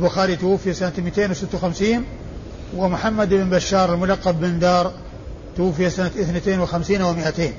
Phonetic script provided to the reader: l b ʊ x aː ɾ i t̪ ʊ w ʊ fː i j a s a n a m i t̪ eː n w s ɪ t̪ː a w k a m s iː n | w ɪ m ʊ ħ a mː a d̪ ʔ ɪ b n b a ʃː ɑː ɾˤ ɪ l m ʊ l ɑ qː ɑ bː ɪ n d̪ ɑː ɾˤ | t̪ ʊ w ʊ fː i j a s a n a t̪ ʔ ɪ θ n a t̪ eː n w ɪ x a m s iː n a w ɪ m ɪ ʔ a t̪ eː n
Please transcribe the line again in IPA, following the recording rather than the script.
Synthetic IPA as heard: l b ʊ x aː ɾ i t̪ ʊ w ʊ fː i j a s a n a m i t̪ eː n w s ɪ t̪ː a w x a m s iː n | w ɪ m ʊ ħ a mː a d̪ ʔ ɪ b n b a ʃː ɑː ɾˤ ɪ l m ʊ l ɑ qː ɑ bː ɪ n d̪ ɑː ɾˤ | t̪ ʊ w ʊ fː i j a s a n a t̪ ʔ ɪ θ n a t̪ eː n w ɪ x a m s iː n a w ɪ m ɪ ʔ a t̪ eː n